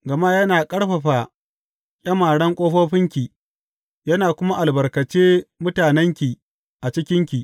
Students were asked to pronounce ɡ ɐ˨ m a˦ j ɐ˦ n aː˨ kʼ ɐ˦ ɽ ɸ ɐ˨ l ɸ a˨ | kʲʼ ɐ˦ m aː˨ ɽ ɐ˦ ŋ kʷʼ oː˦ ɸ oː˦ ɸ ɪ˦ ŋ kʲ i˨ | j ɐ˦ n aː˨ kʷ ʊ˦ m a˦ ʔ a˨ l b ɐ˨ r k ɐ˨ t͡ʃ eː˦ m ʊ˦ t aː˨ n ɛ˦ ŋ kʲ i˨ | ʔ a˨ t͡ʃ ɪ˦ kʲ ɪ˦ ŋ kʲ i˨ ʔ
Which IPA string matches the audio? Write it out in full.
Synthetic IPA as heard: ɡ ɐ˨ m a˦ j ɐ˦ n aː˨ kʼ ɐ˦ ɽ ɸ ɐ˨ ɸ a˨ | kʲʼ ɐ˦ m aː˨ ɽ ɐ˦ ŋ kʷʼ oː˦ ɸ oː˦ ɸ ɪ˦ ŋ kʲ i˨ | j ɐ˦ n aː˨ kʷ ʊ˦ m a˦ ʔ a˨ l b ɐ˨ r k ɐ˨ t͡ʃ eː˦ m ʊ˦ t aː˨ n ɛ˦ ŋ kʲ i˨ | ʔ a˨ t͡ʃ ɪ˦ kʲ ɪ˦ ŋ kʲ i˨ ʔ